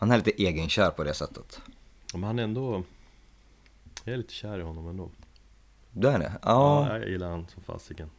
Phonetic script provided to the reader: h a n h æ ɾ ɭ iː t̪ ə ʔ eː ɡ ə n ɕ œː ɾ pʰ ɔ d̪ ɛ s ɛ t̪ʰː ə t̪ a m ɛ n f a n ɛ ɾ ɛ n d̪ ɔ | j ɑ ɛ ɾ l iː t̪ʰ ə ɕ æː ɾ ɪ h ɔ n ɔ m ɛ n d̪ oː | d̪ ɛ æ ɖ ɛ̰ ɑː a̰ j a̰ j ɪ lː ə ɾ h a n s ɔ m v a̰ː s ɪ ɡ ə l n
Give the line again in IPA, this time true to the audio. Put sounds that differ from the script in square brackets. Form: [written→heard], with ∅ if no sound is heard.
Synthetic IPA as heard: h a n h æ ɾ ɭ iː t̪ ə ʔ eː ɡ ə n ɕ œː ɾ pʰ ɔ d̪ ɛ s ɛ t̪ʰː ə t̪ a m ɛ n [f→h] a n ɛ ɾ ɛ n d̪ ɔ | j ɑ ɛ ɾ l iː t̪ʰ ə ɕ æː ɾ ɪ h ɔ [n→nː] ɔ m ɛ n d̪ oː | d̪ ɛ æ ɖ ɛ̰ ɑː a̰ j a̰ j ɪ lː [ə→a] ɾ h a n s ɔ m [v→f] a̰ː s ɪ ɡ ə [l→∅] n